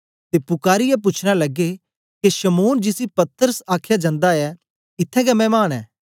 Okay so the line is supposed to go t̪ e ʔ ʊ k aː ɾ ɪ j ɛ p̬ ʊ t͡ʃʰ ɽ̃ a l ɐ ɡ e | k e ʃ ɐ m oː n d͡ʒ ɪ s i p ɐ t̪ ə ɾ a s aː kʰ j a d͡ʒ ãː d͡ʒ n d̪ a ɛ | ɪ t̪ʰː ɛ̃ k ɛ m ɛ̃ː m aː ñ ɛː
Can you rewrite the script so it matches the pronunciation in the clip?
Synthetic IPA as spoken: t̪ e p ʊ k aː ɾ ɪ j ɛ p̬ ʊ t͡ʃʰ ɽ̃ a l ɐ ɡ e | k e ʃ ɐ m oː n d͡ʒ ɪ s i p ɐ t̪ ə ɾ ə s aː kʰ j a d͡ʒ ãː n d̪ a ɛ | ɪ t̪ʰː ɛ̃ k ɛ m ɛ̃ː m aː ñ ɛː